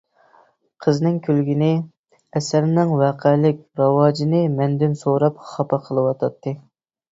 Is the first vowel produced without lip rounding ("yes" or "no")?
yes